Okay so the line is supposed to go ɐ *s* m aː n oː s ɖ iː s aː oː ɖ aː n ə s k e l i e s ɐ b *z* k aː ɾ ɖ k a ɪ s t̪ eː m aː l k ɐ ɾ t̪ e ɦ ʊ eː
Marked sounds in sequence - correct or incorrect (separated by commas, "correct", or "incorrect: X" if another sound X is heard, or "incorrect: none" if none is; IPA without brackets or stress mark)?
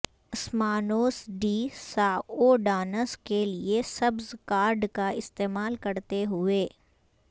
correct, correct